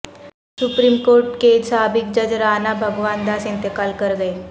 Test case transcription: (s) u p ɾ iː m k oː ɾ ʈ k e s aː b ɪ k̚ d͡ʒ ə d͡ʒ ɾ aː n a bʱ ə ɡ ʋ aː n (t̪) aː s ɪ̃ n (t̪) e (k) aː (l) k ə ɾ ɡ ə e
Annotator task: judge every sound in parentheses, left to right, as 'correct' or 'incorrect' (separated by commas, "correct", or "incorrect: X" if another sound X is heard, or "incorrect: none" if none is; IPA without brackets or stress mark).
correct, incorrect: d̪, correct, correct, correct